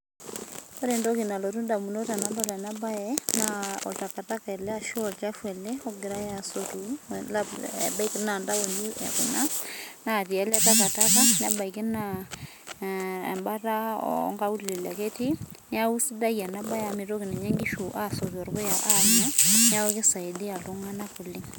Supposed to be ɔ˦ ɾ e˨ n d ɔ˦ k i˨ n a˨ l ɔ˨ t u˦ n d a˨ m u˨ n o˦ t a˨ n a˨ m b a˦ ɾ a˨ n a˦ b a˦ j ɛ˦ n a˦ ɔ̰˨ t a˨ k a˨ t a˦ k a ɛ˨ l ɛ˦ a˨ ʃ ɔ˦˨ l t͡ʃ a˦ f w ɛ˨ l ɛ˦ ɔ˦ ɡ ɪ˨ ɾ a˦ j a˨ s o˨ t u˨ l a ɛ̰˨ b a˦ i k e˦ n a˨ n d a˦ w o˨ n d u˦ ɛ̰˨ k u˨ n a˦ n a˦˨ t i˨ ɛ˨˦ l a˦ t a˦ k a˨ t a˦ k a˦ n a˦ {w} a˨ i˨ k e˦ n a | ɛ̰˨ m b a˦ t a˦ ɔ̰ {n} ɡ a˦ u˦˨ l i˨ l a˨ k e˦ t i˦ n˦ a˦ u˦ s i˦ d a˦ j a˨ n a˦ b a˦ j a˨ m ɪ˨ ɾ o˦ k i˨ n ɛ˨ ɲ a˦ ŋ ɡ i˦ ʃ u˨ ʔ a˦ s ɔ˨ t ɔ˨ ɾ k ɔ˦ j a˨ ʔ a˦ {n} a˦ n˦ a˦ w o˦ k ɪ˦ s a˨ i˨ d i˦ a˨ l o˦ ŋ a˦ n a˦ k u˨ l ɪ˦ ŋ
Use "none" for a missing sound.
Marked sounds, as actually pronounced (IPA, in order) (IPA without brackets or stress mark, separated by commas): b, ŋ, ɲ